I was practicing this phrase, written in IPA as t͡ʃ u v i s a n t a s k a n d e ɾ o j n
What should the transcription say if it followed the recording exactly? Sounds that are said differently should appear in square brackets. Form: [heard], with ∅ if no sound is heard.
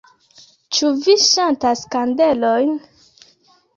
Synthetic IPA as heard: t͡ʃ u v i [ʃ] a n t a s k a n d e [l] o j n